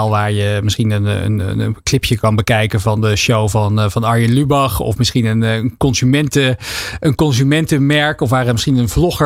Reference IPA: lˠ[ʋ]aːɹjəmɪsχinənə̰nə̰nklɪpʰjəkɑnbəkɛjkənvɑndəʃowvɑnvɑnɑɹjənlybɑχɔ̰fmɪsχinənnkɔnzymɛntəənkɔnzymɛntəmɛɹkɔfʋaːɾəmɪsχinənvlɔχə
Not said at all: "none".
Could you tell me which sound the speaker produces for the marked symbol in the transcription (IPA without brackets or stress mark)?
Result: ʋ